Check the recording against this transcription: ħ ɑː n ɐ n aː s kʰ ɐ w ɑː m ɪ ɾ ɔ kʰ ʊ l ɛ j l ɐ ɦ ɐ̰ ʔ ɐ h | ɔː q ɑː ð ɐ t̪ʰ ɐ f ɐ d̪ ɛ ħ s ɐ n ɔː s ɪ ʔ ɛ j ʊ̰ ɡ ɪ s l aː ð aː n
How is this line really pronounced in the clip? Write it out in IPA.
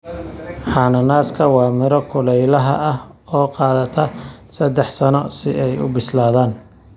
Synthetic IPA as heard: ħ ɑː n ɐ n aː s kʰ ɐ w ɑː m ɪ ɾ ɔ kʰ ʊ l ɛ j l ɐ ɦ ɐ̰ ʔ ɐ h | ɔː q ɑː ð ɐ t̪ʰ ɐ s ɐ d̪ ɛ ħ s ɐ n ɔ s ɪ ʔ ɛ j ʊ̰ b ɪ s l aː ð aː n